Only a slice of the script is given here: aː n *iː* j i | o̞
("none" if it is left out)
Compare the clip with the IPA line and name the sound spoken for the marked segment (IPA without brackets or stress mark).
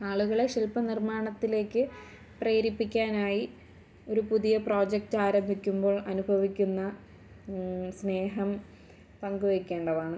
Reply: aː